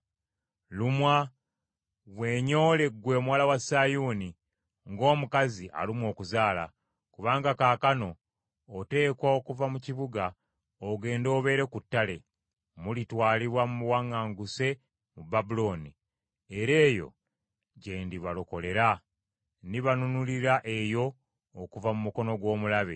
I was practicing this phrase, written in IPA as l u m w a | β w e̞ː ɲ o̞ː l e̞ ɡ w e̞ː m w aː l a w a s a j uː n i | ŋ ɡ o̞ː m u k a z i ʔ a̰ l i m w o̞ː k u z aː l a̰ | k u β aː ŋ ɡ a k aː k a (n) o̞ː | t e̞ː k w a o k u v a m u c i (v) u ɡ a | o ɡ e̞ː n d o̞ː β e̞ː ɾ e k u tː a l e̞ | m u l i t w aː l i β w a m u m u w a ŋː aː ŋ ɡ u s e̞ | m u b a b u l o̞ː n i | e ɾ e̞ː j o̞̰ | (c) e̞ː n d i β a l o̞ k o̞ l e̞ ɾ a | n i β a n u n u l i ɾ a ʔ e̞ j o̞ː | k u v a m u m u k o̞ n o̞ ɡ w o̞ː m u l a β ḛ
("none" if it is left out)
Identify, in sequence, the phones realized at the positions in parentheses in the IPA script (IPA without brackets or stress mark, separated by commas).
n, β, ɟ